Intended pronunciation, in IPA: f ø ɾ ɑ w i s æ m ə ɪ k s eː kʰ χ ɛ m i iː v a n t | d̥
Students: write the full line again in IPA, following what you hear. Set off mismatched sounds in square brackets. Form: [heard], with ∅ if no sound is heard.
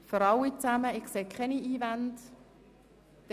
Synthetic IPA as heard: f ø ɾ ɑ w i [t͡s] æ m ə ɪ k s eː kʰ χ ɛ [n] i iː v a n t | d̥